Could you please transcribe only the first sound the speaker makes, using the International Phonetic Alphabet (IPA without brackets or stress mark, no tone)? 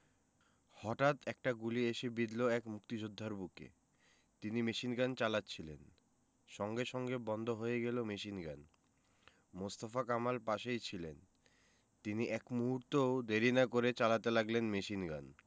h